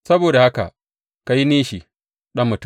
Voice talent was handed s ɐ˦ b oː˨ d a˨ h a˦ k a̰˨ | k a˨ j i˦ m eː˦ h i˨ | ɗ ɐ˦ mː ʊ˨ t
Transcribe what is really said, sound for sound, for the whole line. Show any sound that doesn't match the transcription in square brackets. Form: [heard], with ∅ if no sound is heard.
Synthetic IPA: s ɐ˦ b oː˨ d a˨ h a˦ k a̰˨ | k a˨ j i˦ [n] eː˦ [ʃ] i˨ | ɗ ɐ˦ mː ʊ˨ t